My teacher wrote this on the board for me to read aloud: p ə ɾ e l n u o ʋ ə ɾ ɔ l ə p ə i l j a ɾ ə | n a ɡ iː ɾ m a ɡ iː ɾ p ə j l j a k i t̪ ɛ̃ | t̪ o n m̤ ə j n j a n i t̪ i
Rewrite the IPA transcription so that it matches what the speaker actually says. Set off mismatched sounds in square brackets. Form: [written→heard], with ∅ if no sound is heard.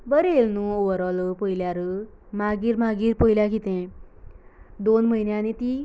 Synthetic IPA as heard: [p→b] ə ɾ e l n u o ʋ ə ɾ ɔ l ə p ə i l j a ɾ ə | [n→m] a ɡ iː ɾ m a ɡ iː ɾ p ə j l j a k i t̪ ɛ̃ | [t̪→d̪] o n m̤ ə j n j a n i t̪ i